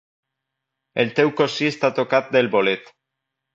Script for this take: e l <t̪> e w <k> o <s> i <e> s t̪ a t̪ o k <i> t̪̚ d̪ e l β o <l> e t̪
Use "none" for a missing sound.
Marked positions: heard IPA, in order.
t̪, k, s, e, a, l

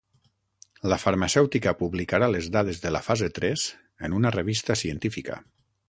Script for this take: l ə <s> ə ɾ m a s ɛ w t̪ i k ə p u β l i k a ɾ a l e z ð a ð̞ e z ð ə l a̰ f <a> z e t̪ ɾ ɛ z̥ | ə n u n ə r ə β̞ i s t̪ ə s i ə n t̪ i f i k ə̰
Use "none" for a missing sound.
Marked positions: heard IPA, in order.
f, a

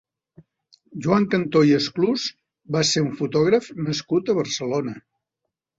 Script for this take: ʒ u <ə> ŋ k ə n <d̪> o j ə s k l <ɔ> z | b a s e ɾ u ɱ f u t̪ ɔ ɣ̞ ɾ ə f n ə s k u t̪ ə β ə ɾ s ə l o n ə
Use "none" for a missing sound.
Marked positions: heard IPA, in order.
a, t̪, u

